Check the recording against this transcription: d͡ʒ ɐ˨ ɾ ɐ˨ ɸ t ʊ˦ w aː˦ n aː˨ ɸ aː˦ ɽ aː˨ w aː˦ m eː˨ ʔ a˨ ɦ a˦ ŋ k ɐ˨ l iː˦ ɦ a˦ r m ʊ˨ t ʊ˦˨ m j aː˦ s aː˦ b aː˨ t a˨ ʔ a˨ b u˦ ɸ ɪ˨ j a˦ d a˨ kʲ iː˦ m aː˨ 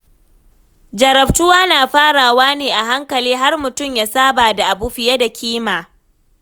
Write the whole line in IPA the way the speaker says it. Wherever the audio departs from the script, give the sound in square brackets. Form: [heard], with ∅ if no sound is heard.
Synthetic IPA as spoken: d͡ʒ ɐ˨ ɾ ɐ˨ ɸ t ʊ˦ w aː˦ n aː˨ ɸ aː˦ ɽ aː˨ w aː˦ [n] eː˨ ʔ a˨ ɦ a˦ ŋ k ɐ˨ l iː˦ ɦ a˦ r m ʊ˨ t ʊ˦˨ m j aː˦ s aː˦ b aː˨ [d] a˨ ʔ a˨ b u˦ ɸ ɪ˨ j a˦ d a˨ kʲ iː˦ m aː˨